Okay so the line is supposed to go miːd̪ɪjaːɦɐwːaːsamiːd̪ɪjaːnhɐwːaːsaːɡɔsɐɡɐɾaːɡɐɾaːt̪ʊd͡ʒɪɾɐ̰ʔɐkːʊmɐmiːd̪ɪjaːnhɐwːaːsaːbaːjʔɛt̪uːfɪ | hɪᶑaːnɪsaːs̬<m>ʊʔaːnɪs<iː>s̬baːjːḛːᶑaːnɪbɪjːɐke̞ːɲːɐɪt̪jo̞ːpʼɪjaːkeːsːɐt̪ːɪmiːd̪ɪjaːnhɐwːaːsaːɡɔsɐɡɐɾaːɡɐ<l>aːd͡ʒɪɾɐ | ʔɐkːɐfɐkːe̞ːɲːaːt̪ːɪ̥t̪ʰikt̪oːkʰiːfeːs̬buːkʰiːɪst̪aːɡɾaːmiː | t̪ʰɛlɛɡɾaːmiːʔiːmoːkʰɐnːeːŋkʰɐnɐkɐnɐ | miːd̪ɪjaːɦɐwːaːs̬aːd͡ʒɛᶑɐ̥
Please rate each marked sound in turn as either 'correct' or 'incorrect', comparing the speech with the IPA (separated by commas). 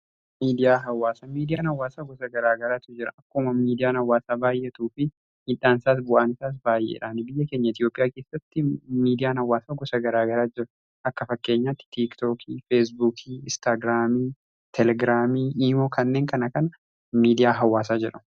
incorrect, incorrect, incorrect